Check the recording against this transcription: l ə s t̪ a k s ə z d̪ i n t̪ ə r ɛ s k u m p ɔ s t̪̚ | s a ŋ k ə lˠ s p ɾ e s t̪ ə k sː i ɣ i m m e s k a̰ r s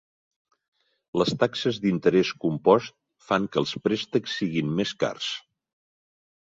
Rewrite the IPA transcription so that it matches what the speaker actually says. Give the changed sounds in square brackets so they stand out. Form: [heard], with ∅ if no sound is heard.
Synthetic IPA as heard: l ə s t̪ a k s ə z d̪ i n t̪ ə [ɾ] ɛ s k u m p ɔ s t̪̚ | [f] a ŋ k ə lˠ s p ɾ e s t̪ ə k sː i ɣ i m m e s k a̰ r s

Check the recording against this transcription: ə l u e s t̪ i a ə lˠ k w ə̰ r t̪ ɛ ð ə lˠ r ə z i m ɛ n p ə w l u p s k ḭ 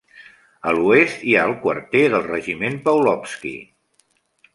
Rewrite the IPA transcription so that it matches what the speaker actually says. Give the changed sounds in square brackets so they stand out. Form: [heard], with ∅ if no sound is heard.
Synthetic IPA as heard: ə l u e s t̪ i a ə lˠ k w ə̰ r t̪ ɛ ð ə lˠ r ə [ʒ] i m [e] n p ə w l [ɔ] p s k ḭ

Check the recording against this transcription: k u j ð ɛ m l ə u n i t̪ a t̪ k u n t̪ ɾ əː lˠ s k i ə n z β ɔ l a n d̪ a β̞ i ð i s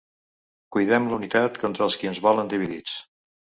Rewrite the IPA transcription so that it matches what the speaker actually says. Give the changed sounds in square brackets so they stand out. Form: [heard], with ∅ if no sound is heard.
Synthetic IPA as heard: k u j ð ɛ m l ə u n i t̪ a t̪ k [ɔ] n t̪ ɾ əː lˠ s k i ə n z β ɔ l [ə] n d̪ [i] β̞ i ð i [t͡s]

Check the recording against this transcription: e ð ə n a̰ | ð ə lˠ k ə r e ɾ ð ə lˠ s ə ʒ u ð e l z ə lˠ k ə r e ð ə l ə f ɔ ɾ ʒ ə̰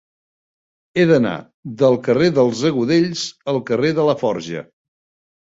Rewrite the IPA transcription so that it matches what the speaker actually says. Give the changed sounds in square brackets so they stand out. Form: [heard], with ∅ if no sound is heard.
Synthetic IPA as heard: e ð ə n a̰ | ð ə lˠ k ə r e [∅] ð ə lˠ [z] ə [ɣ] u ð e [ʎ] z ə lˠ k ə r e ð ə l ə f ɔ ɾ ʒ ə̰

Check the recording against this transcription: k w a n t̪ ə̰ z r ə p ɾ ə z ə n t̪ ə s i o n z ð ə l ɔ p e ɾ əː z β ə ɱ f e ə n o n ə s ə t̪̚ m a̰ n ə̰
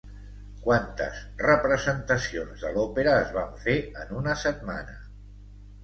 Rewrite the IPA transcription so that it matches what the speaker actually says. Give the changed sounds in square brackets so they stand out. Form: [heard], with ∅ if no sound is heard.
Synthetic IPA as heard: k w a n t̪ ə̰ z r ə p ɾ ə z ə n t̪ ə s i o n z ð ə l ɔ p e ɾ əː z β [a] ɱ f e ə n [u] n ə s ə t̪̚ m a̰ n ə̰

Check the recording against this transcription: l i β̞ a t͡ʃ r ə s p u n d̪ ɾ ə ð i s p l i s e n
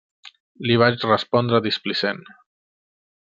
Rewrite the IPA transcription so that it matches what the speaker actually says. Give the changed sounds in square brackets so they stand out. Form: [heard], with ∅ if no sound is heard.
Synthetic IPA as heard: l i β̞ a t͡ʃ r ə s p [ɔ] n d̪ ɾ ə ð i s p l i s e n

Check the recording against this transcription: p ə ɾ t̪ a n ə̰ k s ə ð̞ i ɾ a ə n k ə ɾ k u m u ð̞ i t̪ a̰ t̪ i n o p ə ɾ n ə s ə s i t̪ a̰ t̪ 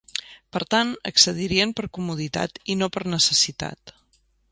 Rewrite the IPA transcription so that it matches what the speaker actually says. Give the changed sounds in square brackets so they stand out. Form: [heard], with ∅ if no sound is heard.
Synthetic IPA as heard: p ə ɾ t̪ a n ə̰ k s ə ð̞ i ɾ [i] ə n [p] ə ɾ k u m u ð̞ i t̪ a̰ t̪ i n o p ə ɾ n ə s ə s i t̪ a̰ t̪

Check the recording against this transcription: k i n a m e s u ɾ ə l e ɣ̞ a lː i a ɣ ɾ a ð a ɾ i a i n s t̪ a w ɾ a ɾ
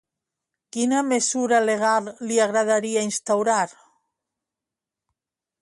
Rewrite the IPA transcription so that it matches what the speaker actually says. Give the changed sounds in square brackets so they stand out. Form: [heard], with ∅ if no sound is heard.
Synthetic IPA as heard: k i n a m e s u ɾ [a] l e ɣ̞ a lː i a ɣ ɾ a ð a ɾ i a i n s t̪ a w ɾ a ɾ

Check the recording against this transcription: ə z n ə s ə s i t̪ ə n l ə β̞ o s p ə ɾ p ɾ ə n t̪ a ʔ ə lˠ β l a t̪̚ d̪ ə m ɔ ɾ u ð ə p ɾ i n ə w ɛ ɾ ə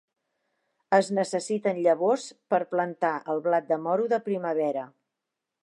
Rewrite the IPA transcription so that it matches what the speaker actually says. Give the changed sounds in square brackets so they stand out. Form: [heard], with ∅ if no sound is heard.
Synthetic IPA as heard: ə z n ə s ə s i t̪ ə n [ʎ] ə β̞ o s p ə ɾ p [l] ə n t̪ a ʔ ə lˠ β l a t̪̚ d̪ ə m ɔ ɾ u ð ə p ɾ i [m] ə [β] ɛ ɾ ə

